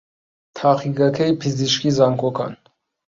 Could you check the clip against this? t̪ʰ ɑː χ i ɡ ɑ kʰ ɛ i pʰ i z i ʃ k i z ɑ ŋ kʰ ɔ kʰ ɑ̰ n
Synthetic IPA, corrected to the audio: t̪ʰ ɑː χ i ɡ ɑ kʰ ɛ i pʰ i z i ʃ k i z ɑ ŋ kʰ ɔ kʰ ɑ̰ n